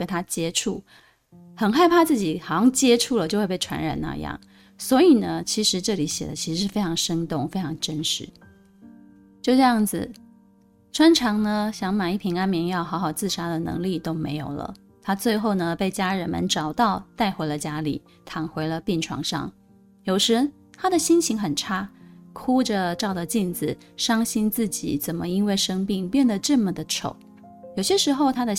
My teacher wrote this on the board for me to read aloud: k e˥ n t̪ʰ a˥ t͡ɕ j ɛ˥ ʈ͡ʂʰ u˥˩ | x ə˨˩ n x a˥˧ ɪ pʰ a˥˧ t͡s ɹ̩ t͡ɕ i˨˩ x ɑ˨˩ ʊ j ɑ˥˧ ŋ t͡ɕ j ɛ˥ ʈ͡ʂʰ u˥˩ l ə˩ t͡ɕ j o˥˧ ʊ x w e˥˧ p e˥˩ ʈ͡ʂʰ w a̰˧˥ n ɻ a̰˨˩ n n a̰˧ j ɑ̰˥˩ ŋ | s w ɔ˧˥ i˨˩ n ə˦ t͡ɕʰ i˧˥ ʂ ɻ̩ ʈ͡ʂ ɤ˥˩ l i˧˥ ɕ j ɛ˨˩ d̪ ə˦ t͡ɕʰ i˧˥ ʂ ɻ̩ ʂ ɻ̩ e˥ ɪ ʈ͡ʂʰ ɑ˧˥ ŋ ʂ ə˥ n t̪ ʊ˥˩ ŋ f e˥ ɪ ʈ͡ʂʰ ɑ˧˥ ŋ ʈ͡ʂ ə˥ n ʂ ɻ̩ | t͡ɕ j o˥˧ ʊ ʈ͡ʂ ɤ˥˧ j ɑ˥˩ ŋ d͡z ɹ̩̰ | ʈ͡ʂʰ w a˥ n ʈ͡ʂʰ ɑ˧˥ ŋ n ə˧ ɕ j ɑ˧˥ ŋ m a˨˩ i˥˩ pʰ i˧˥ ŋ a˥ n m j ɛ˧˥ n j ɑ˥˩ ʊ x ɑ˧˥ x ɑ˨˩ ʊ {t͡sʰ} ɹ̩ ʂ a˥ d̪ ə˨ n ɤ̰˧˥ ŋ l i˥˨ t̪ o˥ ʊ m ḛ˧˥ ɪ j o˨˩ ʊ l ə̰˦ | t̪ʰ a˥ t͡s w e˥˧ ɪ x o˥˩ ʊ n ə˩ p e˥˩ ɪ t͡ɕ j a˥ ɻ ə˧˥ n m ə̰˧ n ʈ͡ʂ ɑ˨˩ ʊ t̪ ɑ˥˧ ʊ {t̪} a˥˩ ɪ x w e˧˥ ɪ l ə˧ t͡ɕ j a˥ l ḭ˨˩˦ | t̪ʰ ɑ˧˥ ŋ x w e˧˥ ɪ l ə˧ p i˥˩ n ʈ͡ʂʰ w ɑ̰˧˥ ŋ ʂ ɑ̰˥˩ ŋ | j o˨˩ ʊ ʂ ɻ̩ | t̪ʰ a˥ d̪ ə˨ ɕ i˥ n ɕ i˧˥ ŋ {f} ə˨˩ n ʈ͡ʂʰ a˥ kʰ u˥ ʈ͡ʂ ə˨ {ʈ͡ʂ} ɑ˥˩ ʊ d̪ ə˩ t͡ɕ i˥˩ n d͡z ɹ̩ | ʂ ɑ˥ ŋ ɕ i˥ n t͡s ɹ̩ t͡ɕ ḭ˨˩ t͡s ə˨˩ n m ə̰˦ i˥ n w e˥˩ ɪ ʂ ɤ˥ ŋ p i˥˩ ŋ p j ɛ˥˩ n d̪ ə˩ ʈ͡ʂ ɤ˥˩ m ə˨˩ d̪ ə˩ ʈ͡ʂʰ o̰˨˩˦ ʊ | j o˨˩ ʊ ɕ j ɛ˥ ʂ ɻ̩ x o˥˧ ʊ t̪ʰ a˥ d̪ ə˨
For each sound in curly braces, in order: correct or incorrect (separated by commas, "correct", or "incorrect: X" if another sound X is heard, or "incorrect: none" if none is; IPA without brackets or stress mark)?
incorrect: t͡s, correct, incorrect: x, correct